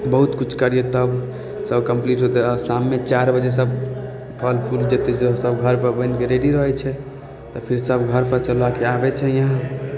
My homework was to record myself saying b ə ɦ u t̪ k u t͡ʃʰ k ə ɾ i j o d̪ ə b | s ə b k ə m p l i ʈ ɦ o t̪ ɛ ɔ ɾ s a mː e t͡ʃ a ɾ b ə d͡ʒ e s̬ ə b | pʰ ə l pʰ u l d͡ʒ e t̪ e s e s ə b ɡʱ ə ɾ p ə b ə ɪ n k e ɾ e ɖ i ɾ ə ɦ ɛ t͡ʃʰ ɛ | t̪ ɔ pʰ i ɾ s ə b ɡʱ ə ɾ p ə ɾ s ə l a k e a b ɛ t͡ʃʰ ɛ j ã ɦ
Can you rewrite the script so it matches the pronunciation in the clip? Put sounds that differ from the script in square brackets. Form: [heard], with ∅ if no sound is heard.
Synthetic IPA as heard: b ə ɦ u t̪ k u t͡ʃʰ k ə ɾ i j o [t̪] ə b | s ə b k ə m p l i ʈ ɦ o t̪ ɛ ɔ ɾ s a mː e t͡ʃ a ɾ b ə d͡ʒ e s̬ ə b | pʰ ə l pʰ u l d͡ʒ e t̪ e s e s ə b ɡʱ ə ɾ p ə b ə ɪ n k e ɾ e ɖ i ɾ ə ɦ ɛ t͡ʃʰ ɛ | t̪ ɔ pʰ i ɾ s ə b ɡʱ ə ɾ p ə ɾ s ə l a k e a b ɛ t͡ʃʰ ɛ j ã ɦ